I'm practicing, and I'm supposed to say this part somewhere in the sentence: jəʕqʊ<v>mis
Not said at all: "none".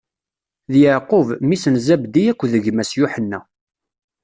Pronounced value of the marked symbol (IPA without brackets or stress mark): v